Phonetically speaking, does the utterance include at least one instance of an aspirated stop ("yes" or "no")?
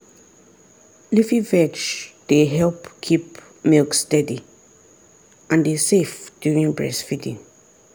yes